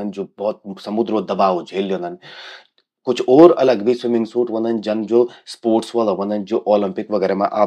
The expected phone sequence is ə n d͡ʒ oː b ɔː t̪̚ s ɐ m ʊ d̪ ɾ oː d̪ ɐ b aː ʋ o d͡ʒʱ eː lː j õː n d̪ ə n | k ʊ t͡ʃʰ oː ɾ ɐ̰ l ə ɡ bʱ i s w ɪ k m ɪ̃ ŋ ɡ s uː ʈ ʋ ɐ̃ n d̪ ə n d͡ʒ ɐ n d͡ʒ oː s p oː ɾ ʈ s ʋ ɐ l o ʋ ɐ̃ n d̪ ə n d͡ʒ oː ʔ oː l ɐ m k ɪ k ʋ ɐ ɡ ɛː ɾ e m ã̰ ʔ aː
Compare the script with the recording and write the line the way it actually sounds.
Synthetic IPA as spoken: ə n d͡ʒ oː b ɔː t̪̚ s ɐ m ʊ d̪ ɾ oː d̪ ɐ b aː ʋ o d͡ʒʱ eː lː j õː n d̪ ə n | k ʊ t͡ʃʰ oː ɾ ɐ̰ l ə ɡ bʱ i s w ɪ m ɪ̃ ŋ ɡ s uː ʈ ʋ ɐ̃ n d̪ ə n d͡ʒ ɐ n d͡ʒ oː s p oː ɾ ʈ s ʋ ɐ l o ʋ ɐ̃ n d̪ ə n d͡ʒ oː ʔ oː l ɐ m p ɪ k ʋ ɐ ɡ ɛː ɾ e m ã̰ ʔ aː